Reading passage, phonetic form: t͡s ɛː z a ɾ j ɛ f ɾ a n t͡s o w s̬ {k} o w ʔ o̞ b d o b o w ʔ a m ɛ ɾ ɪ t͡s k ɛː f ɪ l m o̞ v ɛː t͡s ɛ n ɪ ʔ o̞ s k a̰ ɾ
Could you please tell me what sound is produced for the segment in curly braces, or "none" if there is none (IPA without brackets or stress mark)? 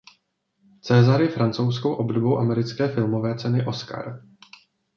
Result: k